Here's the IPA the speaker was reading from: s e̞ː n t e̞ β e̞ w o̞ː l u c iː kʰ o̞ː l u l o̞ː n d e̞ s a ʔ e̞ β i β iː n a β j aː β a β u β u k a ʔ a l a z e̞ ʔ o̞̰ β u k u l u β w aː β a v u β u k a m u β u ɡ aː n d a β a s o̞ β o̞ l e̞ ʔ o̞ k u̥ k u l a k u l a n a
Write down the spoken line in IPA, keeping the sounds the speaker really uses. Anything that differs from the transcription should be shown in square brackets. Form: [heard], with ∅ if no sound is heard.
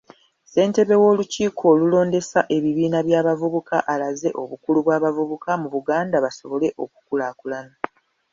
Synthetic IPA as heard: s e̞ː n t e̞ β e̞ w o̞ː l u c iː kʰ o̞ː l u l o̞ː n d e̞ s a ʔ e̞ β i β iː n a β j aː β a [v] u β u k a ʔ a l a z e̞ ʔ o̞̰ β u k u l u β w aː β a v u β u k a m u β u ɡ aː n d a β a s o̞ β o̞ l e̞ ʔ o̞ k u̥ k u l a k u l a n a